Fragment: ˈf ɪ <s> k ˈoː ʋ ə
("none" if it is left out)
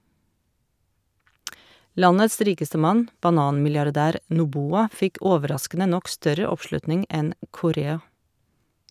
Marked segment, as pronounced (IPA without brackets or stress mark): none